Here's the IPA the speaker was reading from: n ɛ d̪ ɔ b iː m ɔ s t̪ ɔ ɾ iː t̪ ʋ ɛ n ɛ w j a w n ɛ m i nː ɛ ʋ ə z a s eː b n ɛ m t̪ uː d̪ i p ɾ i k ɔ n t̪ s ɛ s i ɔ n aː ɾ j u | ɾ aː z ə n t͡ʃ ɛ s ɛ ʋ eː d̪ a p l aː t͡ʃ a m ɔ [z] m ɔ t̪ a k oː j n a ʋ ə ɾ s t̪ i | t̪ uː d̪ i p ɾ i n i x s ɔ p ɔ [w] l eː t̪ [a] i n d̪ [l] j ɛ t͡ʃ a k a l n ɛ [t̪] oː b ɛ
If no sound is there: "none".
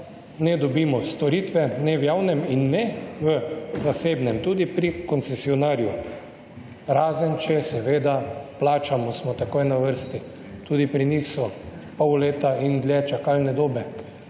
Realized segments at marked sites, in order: s, w, a, l, d̪

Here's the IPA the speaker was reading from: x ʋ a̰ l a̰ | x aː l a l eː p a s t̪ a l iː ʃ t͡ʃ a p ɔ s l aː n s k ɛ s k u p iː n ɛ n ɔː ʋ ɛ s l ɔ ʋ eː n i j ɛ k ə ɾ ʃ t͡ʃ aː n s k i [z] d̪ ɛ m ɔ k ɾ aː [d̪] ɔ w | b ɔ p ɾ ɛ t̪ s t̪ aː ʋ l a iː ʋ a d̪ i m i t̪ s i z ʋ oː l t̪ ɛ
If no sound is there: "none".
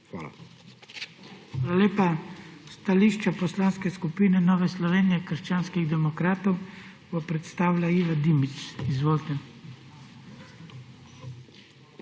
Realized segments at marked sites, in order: ɣ, t̪

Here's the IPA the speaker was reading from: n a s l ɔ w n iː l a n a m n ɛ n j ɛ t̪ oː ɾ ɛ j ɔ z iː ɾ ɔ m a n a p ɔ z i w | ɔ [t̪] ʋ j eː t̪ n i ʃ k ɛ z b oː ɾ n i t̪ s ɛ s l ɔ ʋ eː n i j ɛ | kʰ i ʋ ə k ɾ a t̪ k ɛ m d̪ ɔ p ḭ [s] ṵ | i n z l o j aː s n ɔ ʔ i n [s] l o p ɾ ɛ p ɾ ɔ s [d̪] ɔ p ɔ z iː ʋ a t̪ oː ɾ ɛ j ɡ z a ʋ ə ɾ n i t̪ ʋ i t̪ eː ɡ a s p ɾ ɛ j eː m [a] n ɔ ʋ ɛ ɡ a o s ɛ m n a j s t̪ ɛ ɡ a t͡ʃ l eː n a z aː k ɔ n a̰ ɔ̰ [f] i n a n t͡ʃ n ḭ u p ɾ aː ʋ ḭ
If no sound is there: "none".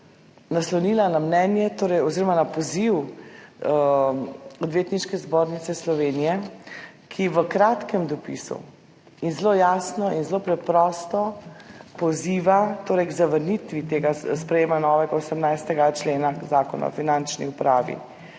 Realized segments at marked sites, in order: d̪, s, z, t̪, a, f

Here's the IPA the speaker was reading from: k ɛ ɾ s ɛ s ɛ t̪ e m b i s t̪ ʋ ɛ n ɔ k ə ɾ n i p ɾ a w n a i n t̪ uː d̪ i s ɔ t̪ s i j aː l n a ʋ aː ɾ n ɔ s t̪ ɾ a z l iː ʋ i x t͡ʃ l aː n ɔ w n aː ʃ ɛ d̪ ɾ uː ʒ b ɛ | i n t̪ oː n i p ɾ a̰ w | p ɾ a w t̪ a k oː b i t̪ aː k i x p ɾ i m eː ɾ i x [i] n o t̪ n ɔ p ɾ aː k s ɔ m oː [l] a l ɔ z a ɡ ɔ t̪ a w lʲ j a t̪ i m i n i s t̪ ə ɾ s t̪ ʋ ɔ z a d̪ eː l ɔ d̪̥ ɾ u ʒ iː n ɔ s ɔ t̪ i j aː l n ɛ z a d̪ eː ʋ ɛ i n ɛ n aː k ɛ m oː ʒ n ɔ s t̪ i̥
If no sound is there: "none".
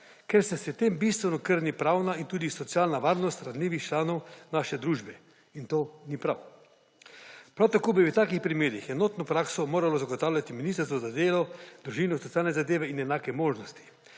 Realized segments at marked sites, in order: ɛ, ɾ

